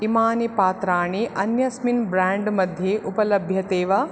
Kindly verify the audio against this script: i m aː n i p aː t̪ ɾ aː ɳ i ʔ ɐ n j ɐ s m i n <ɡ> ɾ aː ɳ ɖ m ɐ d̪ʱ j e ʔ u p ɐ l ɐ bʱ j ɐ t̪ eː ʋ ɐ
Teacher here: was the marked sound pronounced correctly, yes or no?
no